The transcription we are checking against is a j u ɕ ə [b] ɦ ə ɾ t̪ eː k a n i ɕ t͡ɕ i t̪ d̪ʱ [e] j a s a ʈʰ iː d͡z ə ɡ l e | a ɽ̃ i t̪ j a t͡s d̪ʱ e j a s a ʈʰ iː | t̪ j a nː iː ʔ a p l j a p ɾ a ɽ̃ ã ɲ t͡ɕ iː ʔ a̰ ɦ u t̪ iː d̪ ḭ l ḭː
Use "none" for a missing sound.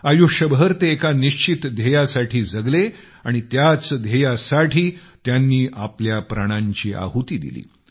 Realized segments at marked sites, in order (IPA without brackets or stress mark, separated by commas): b, e